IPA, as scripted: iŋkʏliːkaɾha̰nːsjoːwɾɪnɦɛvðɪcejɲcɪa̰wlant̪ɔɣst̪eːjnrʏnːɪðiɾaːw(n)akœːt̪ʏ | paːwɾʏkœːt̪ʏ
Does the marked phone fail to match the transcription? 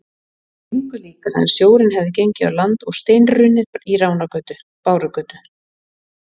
no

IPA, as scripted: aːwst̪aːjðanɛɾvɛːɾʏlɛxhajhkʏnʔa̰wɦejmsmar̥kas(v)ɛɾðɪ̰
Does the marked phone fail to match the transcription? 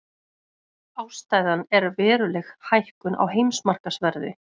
no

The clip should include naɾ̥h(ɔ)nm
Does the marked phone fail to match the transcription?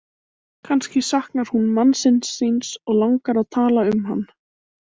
yes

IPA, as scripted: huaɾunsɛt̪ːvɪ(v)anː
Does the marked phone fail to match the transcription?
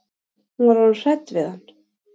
yes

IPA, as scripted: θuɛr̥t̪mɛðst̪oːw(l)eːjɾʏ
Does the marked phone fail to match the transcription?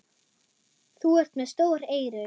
yes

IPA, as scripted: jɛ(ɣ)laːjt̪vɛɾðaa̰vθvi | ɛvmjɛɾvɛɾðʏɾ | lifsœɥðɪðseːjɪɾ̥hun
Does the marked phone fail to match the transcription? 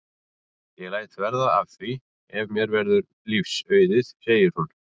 no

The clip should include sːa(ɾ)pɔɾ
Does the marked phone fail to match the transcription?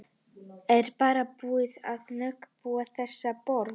yes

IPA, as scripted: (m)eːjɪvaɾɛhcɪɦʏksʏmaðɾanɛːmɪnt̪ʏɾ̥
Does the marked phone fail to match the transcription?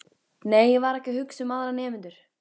yes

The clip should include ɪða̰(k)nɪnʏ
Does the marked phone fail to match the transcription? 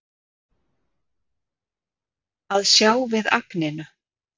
no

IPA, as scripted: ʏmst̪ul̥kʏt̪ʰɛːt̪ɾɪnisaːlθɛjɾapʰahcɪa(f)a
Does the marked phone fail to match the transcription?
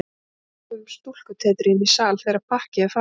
no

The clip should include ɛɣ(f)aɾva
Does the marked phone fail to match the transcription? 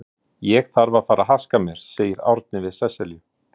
yes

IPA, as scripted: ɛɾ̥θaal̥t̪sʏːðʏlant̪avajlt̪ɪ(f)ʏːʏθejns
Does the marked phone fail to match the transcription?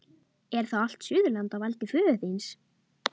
no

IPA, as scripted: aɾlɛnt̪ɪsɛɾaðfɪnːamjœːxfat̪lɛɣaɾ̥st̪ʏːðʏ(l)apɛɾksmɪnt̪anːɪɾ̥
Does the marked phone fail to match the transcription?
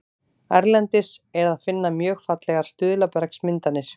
no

